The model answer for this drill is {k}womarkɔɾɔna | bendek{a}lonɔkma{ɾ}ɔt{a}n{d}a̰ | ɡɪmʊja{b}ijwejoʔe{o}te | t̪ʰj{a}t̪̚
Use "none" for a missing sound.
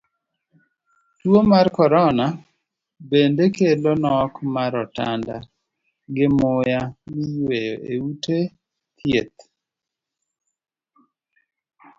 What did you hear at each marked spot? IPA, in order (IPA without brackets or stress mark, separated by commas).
t, e, ɾ, a, d, m, u, e